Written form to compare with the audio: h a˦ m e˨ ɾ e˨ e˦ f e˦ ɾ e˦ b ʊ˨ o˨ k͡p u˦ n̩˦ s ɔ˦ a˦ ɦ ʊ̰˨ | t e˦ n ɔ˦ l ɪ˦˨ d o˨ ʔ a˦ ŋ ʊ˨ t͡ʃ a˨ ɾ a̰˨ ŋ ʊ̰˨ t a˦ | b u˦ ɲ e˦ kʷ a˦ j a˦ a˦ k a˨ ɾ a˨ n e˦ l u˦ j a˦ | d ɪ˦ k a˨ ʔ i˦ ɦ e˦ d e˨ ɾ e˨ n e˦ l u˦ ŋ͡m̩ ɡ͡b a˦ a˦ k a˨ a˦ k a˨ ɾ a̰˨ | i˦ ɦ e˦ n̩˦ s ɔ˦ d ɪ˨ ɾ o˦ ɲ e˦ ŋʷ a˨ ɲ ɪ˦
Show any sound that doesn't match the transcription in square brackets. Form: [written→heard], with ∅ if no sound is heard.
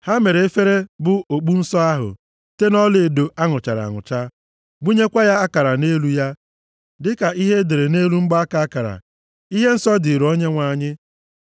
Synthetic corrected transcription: h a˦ m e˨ ɾ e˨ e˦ f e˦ ɾ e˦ b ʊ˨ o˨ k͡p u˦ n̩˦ s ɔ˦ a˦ ɦ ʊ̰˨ | t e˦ n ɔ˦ l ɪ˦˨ d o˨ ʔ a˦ ŋ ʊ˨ t͡ʃ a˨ ɾ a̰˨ ŋ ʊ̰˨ [t→t͡ʃ] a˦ | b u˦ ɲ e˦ kʷ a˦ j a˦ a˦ k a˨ ɾ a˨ n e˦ l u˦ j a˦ | d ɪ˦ k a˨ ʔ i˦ ɦ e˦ d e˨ ɾ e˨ n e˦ l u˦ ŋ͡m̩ ɡ͡b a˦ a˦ k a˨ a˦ k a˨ ɾ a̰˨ | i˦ ɦ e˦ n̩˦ s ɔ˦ d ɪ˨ ɾ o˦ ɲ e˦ ŋʷ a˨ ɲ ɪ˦

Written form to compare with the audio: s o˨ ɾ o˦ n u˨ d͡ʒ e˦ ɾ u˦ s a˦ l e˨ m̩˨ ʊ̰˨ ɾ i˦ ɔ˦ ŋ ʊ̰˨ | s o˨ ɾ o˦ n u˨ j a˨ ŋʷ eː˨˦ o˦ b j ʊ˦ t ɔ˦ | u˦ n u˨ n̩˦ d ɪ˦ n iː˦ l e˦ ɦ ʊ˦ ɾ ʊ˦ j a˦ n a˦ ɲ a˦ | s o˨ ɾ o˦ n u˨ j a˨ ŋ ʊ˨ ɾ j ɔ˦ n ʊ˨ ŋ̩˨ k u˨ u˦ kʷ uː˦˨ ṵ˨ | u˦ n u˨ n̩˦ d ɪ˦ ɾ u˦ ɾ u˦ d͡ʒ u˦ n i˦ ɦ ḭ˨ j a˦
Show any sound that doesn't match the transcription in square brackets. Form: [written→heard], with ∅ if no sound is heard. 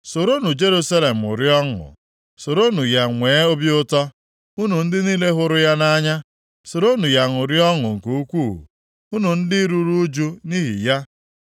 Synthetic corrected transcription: s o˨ ɾ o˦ n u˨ d͡ʒ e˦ ɾ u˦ s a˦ l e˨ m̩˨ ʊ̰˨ ɾ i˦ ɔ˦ ŋ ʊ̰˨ | s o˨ ɾ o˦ n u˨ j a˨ ŋʷ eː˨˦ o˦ b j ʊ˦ t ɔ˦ | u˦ n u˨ n̩˦ d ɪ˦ n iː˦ l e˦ ɦ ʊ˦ ɾ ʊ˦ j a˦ n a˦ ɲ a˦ | s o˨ ɾ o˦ n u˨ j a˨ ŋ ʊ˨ ɾ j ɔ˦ [n→ŋ] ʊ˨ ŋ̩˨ k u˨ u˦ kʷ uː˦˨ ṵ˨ | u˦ n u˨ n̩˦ d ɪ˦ ɾ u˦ ɾ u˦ d͡ʒ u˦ n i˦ ɦ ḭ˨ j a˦

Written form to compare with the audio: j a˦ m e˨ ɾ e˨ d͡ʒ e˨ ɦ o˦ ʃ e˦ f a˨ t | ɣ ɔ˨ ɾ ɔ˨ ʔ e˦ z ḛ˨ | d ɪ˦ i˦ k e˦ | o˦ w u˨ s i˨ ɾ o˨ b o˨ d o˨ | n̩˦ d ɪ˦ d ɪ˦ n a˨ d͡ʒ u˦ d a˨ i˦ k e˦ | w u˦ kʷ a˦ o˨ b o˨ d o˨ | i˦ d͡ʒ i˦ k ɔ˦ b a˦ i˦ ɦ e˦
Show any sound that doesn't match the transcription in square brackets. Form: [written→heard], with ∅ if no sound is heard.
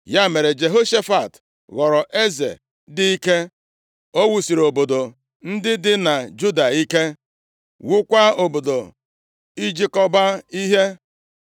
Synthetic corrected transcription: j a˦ m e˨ ɾ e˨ d͡ʒ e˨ ɦ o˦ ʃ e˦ f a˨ t | ɣ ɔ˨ ɾ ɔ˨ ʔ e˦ z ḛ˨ | d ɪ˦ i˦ k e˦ | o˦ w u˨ s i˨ ɾ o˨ b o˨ d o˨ | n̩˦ d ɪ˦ d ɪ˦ n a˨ d͡ʒ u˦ d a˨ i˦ k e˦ | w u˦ kʷ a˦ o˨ b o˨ d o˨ | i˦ d͡ʒ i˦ k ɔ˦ b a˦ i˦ ɦ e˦

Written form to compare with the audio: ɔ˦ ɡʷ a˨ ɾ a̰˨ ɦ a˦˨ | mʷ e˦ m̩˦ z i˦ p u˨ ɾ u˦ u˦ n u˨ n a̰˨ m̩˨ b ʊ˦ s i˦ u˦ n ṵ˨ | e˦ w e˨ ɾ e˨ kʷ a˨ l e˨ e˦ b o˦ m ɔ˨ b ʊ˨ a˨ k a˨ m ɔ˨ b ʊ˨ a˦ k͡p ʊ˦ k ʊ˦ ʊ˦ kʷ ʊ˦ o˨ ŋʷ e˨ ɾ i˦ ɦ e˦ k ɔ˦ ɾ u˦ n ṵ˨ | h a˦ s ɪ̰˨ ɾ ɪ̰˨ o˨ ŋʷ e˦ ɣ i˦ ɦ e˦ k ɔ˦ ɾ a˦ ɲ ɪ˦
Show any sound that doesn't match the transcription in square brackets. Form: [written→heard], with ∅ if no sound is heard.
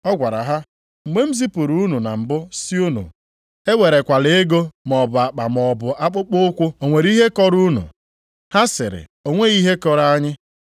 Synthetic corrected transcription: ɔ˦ ɡʷ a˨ ɾ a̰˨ ɦ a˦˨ | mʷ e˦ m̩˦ z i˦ p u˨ ɾ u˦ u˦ n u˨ n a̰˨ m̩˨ b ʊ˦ s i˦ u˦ n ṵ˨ | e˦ w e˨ ɾ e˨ kʷ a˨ l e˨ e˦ [b→ɡ] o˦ m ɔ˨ b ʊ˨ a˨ [k→k͡p] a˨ m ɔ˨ b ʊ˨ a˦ k͡p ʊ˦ [k→k͡p] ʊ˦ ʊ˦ kʷ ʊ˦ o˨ ŋʷ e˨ ɾ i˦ ɦ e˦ k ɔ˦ ɾ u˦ n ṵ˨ | h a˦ s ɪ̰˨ ɾ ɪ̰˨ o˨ ŋʷ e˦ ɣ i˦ ɦ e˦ k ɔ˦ ɾ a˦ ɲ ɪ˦

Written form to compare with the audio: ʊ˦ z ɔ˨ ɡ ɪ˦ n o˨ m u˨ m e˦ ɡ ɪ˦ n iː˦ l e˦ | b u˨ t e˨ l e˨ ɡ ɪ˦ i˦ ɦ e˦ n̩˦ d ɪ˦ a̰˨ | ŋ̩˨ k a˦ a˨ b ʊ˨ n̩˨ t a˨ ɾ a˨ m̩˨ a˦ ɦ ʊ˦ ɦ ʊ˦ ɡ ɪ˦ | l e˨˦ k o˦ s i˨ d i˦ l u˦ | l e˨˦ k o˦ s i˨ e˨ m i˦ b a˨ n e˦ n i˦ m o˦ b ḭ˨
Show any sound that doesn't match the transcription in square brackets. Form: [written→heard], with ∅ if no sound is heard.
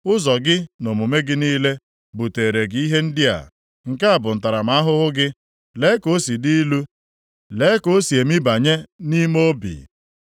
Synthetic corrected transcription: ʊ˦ z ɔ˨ ɡ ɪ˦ n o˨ m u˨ m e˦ ɡ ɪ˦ n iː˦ l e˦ | b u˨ t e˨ [l→ɾ] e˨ ɡ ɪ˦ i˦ ɦ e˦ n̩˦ d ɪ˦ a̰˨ | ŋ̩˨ k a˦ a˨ b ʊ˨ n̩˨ t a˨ ɾ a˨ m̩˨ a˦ ɦ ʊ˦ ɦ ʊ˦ ɡ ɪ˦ | l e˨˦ k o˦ s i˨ d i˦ l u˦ | l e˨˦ k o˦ s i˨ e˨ m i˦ b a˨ [n→ɲ] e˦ n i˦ m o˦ b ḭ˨

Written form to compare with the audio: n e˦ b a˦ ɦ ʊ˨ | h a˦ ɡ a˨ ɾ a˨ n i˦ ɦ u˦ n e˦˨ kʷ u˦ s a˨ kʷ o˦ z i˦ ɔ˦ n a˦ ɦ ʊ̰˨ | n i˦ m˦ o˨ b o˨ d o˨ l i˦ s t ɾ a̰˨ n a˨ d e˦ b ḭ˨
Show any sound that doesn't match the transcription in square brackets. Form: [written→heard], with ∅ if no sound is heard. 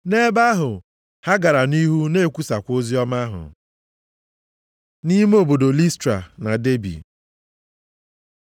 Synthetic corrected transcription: n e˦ b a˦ ɦ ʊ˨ | h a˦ ɡ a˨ ɾ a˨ n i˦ ɦ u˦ n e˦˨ kʷ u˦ s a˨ kʷ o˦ z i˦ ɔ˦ [n→m] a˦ ɦ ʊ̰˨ | n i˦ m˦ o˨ b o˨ d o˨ l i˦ s t ɾ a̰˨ n a˨ d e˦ b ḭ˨

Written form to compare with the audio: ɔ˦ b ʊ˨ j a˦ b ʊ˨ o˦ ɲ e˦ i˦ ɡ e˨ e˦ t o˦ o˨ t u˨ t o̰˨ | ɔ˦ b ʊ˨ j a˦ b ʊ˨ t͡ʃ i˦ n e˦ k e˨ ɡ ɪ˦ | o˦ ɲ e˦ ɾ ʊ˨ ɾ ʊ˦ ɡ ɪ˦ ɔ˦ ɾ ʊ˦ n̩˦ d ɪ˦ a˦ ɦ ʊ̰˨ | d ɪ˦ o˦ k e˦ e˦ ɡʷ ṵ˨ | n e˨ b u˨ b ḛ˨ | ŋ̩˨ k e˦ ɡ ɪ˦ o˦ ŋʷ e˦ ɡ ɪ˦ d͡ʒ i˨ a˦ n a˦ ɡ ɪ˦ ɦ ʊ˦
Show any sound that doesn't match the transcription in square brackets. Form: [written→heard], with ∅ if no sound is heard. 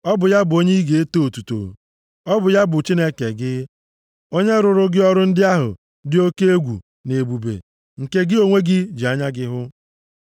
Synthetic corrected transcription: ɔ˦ b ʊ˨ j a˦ b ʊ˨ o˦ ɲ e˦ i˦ ɡ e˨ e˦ t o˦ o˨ t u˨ t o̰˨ | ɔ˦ b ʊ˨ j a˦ b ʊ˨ t͡ʃ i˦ n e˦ k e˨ ɡ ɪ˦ | o˦ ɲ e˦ ɾ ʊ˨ ɾ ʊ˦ ɡ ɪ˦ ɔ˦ ɾ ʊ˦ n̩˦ d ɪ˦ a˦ ɦ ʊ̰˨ | d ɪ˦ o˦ k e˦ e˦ ɡʷ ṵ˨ | n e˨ b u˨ b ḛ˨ | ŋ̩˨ k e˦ ɡ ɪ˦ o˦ ŋʷ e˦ ɡ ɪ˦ d͡ʒ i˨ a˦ [n→ɲ] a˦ ɡ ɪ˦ ɦ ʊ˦

